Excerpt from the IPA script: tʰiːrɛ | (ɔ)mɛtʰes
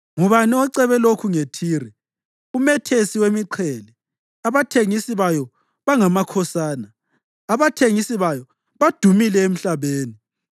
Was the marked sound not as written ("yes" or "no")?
yes